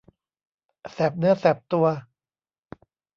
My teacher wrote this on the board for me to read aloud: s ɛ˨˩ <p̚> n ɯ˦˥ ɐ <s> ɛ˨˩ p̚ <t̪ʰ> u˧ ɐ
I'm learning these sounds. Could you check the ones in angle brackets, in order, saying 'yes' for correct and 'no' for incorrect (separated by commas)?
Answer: yes, yes, no